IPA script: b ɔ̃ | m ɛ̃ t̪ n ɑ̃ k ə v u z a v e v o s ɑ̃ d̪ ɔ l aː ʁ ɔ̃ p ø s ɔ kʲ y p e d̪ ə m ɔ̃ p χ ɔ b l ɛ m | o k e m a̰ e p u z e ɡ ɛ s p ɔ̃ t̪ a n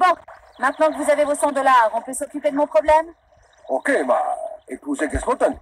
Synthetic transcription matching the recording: b ɔ̃ | m ɛ̃ t̪ n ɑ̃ k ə v u z a v e v o s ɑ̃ d̪ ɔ l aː ʁ ɔ̃ p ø s ɔ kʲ y p e d̪ ə m ɔ̃ p χ ɔ b l ɛ m | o k e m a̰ e p u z e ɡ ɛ s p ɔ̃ t̪ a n